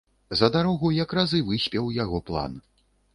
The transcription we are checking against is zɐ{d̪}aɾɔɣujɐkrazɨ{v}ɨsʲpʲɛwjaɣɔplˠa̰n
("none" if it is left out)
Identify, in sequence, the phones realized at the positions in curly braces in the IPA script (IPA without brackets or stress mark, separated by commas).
d̪, v